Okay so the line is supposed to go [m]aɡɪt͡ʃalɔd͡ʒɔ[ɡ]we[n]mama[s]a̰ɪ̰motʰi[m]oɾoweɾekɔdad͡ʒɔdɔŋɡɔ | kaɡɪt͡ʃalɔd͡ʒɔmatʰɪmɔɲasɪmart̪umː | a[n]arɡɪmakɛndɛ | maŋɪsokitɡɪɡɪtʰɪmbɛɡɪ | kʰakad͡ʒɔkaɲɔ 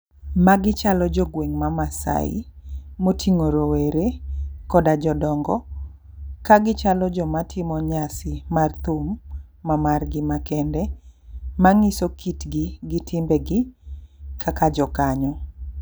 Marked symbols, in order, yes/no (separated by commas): yes, yes, no, yes, no, no